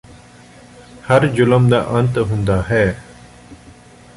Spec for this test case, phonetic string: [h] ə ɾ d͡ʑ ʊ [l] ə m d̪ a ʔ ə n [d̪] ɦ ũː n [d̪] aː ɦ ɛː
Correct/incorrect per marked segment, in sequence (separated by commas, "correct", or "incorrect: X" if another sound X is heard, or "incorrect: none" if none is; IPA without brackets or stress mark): correct, correct, incorrect: t̪, correct